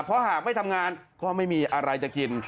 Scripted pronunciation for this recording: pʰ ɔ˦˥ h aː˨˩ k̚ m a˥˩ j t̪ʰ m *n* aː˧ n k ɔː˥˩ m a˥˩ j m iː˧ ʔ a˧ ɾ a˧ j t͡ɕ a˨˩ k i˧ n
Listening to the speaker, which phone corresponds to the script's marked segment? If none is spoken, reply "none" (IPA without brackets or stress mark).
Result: ŋ